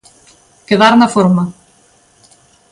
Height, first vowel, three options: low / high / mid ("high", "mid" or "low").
mid